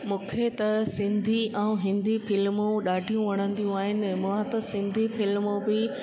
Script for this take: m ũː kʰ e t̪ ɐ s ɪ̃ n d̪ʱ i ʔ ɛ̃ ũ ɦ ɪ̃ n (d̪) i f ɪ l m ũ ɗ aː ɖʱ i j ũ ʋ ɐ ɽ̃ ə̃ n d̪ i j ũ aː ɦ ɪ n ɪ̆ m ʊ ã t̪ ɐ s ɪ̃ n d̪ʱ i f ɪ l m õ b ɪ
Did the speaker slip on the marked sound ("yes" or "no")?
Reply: no